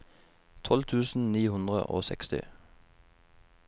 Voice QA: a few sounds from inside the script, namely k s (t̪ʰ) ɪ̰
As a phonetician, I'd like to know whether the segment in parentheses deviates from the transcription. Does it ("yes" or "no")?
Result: yes